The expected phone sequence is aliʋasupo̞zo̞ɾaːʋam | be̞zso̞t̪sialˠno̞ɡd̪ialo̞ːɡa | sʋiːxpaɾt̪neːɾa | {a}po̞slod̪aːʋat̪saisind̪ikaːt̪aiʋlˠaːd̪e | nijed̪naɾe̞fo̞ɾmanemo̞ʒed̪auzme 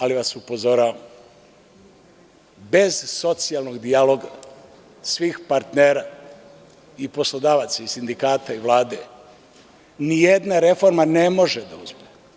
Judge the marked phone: incorrect: i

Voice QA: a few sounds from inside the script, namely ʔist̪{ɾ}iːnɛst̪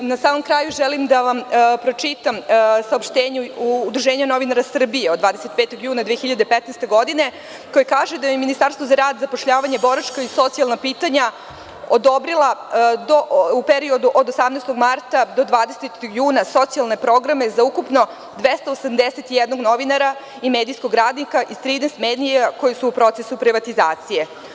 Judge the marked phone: correct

